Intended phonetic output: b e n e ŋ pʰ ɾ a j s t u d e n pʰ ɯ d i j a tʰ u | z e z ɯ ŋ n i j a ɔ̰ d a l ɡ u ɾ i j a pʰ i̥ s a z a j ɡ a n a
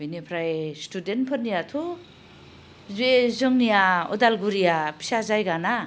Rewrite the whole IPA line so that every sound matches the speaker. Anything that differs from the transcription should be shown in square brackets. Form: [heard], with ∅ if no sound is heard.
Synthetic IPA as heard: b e n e [∅] pʰ ɾ a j s t u d e n pʰ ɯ [n] i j a tʰ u | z e z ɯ ŋ n i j a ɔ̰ d a l ɡ u ɾ i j a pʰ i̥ s a z a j ɡ a n a